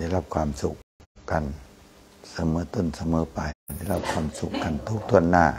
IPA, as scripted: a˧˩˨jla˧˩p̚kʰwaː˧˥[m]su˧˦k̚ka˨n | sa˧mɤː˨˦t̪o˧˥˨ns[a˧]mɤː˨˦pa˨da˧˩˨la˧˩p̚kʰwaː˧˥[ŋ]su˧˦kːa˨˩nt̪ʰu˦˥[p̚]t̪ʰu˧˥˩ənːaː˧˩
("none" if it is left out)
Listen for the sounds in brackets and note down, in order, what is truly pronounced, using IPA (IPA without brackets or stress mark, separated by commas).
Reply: m, a˧, m, k̚